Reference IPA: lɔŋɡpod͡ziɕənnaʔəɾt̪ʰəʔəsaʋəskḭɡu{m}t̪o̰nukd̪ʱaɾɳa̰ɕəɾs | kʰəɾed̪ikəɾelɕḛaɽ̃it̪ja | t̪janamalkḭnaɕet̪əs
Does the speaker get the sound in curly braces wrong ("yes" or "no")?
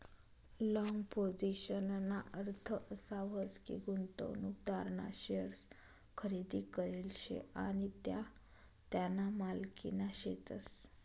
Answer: yes